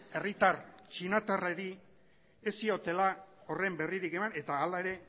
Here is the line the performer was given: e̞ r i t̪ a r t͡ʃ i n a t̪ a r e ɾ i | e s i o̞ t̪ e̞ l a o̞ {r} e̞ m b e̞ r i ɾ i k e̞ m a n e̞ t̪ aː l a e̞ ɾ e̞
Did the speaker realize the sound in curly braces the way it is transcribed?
yes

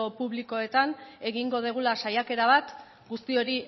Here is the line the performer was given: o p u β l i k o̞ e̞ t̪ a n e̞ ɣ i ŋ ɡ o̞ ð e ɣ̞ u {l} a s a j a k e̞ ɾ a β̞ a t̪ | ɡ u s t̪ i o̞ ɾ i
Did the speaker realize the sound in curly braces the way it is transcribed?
yes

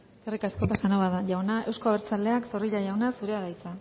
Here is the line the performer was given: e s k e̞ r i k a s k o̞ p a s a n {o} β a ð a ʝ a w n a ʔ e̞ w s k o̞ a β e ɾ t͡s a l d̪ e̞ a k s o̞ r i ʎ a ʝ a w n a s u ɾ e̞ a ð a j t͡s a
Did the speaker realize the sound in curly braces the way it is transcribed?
yes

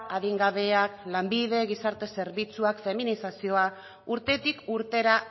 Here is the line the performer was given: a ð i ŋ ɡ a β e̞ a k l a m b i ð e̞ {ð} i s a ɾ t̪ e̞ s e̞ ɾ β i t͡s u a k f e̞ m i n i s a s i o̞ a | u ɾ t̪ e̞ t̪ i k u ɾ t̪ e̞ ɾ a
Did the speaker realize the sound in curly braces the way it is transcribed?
no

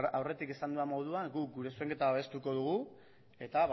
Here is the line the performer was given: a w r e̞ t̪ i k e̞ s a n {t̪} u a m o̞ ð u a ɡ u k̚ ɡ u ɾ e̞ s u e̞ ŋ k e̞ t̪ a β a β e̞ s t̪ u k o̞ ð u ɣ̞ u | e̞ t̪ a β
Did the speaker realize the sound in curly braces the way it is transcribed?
no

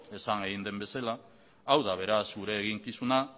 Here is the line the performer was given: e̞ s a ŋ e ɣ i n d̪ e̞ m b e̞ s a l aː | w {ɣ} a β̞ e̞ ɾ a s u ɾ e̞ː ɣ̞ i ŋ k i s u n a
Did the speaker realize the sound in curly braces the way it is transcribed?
no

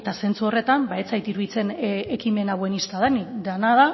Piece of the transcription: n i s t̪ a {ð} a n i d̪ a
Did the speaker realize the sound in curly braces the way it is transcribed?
yes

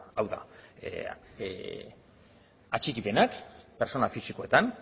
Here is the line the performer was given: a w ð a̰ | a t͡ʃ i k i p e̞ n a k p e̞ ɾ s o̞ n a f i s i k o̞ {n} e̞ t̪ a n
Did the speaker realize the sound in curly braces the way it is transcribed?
no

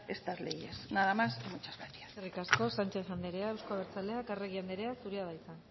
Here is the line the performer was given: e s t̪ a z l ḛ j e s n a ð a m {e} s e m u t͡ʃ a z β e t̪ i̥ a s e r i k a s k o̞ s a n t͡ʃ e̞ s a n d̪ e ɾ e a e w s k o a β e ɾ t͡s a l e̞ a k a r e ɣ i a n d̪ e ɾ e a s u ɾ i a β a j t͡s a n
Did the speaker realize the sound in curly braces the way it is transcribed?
no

